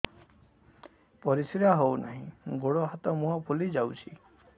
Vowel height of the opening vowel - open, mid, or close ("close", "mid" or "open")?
mid